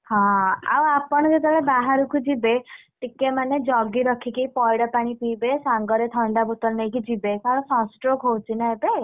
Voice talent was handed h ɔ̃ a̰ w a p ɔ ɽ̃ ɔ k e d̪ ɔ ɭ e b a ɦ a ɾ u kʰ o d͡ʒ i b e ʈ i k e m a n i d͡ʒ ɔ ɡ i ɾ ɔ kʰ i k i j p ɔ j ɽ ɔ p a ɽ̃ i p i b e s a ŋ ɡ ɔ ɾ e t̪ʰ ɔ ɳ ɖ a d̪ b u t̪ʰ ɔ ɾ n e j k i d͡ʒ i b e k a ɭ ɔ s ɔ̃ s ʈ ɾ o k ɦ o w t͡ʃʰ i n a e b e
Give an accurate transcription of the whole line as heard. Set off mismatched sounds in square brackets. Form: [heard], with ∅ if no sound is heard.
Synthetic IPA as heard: h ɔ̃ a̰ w a p ɔ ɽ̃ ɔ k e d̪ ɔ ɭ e b a ɦ a ɾ u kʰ [u] d͡ʒ i b e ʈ i k e m a n [e] d͡ʒ ɔ ɡ i ɾ ɔ kʰ i k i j p ɔ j ɽ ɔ p a ɽ̃ i p i b e s a ŋ ɡ ɔ ɾ e t̪ʰ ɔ ɳ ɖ a [∅] b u [t̪] ɔ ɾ n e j k i d͡ʒ i b e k a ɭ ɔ s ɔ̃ s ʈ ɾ o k ɦ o w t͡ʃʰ i n a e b e